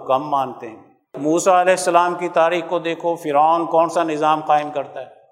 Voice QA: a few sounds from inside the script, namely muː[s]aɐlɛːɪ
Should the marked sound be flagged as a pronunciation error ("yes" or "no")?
no